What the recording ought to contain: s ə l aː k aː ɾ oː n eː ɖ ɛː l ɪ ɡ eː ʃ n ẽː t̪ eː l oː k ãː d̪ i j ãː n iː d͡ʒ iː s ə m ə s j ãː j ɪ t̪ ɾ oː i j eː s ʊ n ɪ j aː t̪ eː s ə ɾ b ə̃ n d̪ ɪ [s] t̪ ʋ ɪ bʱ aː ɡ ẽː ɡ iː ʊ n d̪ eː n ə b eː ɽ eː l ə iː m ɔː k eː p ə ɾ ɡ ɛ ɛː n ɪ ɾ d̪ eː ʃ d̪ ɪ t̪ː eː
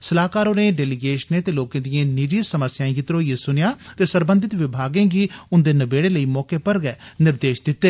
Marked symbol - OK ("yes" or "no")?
no